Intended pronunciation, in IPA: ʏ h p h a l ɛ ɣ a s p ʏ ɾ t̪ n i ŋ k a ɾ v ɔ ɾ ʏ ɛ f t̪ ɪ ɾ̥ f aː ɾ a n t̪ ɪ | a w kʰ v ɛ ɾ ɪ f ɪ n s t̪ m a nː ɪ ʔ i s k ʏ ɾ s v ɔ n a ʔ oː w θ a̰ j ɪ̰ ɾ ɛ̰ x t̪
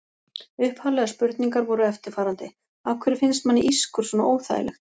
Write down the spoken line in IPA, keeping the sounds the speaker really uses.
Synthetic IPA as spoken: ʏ h p h a l ɛ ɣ a s p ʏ ɾ t̪ n i ŋ k a ɾ v ɔ ɾ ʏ ɛ f t̪ ɪ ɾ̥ f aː ɾ a n t̪ ɪ | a w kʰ v ɛ ɾ ɪ f ɪ n s t̪ m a nː ɪ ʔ i s k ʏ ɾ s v ɔ n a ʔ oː w θ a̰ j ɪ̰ l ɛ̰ x t̪